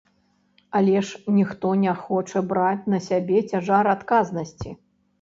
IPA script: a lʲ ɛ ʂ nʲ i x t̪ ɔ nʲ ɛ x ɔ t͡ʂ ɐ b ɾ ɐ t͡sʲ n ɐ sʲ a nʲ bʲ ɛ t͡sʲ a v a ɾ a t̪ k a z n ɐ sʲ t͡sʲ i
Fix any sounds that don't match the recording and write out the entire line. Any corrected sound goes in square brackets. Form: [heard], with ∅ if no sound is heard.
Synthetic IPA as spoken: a lʲ ɛ ʂ nʲ i x t̪ ɔ nʲ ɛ x ɔ t͡ʂ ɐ b ɾ [a] t͡sʲ n ɐ sʲ a [∅] bʲ ɛ t͡sʲ a [ʐ] a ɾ a t̪ k a z n ɐ sʲ t͡sʲ i